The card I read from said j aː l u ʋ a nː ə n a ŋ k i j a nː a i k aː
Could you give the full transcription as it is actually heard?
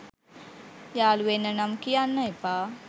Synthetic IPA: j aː l u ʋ e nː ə n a m k i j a nː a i p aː